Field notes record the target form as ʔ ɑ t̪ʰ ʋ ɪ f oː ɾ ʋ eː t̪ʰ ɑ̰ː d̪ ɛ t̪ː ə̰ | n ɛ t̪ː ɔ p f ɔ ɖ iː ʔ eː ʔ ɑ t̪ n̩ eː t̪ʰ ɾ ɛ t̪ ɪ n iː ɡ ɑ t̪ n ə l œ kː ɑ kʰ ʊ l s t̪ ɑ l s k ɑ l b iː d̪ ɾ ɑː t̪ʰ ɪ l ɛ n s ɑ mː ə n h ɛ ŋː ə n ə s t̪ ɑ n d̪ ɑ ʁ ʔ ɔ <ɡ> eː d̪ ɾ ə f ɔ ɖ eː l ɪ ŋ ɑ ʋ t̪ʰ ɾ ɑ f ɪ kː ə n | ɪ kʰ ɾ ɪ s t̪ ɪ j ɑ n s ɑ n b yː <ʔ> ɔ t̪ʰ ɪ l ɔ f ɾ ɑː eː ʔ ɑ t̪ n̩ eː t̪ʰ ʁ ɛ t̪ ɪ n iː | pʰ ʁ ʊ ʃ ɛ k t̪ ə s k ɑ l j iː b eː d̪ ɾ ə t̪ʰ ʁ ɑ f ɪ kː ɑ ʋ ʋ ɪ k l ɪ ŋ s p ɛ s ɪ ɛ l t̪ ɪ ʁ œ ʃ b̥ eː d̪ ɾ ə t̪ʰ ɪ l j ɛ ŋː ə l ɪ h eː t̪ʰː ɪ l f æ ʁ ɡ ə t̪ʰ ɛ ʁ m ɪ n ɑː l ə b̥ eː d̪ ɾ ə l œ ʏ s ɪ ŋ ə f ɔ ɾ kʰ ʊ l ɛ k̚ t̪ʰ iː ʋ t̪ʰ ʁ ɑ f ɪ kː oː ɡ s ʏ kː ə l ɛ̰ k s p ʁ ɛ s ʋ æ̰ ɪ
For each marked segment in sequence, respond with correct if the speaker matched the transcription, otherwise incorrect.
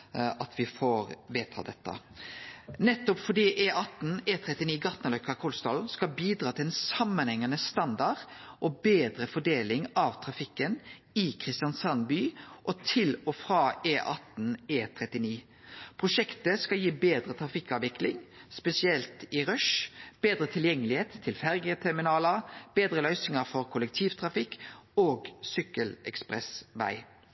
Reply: incorrect, correct

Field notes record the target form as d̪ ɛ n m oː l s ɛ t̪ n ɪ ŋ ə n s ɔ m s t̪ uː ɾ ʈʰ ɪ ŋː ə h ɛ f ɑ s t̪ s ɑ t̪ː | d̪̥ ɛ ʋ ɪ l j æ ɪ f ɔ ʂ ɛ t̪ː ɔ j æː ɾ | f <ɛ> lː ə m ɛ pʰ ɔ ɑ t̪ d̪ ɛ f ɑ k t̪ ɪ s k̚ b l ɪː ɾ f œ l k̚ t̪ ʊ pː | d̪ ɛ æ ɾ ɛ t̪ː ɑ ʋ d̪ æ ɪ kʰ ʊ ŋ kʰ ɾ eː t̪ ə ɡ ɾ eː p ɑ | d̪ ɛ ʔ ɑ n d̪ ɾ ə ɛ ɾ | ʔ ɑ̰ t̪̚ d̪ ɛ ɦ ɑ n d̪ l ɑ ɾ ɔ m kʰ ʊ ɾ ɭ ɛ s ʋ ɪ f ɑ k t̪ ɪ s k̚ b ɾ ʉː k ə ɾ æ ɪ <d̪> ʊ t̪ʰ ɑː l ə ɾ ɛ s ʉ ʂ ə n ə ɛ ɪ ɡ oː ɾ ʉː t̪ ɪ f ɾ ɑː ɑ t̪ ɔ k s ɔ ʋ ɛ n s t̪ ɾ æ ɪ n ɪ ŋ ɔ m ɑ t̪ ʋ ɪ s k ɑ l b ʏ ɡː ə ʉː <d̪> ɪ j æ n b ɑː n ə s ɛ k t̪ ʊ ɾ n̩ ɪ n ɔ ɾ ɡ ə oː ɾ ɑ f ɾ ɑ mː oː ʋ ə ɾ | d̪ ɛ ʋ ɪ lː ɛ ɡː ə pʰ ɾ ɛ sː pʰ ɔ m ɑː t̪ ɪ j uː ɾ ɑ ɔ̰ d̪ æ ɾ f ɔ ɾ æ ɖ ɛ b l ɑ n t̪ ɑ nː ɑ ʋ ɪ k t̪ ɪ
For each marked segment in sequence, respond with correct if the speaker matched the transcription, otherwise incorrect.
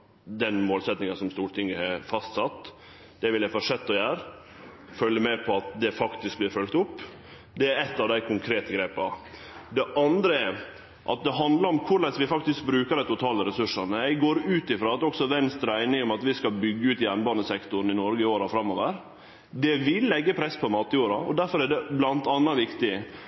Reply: incorrect, incorrect, incorrect

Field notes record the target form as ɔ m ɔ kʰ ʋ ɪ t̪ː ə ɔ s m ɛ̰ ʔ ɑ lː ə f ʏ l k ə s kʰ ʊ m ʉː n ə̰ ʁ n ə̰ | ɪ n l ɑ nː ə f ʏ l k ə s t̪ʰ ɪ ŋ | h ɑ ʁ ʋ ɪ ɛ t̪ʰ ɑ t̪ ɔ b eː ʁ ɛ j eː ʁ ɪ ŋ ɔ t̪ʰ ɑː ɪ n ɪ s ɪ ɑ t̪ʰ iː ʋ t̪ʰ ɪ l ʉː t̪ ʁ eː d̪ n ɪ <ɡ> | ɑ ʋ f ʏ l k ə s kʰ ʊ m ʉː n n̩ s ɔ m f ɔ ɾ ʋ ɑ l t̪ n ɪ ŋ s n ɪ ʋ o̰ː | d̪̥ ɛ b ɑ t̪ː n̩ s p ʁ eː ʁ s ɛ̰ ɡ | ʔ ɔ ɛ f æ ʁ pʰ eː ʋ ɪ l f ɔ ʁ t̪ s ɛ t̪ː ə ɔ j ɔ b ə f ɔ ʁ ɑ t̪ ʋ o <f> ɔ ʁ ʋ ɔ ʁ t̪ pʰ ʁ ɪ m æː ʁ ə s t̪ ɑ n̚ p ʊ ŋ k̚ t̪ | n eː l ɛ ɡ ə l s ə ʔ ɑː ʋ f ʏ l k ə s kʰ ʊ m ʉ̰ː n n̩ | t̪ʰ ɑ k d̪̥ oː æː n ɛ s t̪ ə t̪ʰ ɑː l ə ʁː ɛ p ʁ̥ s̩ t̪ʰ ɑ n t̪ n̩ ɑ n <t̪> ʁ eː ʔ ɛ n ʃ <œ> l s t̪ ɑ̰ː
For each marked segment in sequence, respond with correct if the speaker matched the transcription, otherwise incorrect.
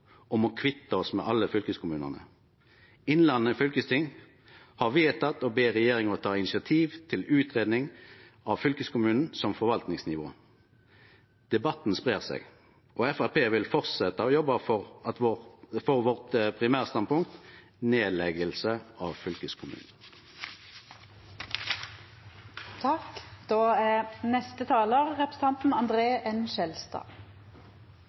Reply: incorrect, correct, incorrect, incorrect

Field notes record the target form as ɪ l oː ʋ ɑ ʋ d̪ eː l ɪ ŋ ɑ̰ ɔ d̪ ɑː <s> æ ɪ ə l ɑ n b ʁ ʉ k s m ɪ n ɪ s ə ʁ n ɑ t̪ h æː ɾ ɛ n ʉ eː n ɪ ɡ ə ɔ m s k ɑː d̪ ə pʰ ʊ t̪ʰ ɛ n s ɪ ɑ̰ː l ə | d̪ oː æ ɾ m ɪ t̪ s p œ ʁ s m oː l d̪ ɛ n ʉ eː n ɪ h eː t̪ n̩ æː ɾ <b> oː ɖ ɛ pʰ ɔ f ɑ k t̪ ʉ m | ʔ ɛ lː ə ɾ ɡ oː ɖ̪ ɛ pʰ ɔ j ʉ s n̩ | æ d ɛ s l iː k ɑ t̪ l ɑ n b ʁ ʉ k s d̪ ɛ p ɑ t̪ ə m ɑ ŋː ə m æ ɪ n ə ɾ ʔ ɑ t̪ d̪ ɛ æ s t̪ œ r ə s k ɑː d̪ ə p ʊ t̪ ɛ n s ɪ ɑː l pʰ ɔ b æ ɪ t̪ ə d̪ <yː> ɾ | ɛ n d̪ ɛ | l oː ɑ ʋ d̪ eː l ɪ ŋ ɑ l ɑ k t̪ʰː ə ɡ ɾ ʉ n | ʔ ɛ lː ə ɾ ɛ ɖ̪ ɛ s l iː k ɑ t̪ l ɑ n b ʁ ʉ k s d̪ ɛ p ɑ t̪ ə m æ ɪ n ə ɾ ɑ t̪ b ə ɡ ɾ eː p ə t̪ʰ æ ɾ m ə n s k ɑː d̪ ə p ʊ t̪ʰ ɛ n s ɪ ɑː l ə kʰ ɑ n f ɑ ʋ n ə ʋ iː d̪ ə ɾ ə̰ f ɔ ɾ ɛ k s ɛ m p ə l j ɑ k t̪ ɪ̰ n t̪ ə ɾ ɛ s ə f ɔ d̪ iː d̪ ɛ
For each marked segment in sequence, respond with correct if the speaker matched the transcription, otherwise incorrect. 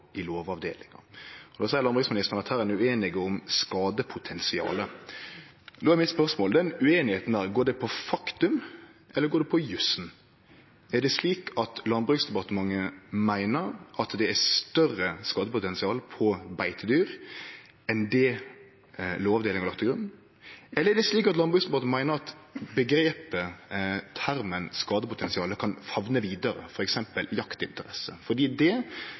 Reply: correct, incorrect, correct

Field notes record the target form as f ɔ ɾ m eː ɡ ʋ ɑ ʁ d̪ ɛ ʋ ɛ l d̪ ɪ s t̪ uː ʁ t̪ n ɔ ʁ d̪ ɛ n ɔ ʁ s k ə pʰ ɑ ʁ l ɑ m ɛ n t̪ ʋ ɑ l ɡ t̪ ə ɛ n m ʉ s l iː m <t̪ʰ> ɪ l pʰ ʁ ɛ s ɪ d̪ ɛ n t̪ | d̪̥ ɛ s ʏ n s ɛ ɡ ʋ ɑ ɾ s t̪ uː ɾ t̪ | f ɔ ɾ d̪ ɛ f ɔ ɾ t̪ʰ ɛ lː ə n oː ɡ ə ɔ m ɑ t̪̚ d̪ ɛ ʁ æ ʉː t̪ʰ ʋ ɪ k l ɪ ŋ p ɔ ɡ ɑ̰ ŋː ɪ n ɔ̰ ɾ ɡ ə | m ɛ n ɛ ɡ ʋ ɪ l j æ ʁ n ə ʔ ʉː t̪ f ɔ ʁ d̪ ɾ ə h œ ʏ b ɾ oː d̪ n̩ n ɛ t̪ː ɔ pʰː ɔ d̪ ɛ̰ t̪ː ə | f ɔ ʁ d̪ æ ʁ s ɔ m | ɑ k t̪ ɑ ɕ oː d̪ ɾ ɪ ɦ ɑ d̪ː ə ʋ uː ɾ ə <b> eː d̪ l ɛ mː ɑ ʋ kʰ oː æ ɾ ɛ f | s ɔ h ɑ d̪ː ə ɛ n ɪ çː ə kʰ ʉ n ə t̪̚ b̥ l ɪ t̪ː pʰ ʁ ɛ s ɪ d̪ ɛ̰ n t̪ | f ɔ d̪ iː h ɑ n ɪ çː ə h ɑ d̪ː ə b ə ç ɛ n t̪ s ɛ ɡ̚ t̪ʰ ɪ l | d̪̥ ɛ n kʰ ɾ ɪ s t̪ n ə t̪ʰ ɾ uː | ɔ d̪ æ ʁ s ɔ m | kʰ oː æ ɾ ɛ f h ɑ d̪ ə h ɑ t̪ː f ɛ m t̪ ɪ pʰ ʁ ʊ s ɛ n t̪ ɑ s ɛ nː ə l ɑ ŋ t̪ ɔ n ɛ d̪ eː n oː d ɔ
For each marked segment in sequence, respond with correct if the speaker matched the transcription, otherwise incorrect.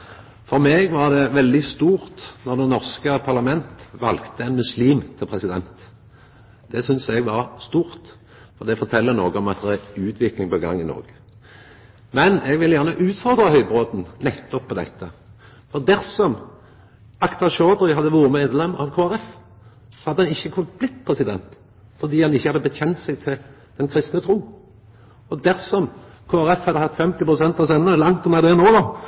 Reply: correct, incorrect

